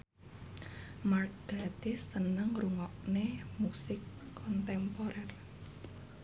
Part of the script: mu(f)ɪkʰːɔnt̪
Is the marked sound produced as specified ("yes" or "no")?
no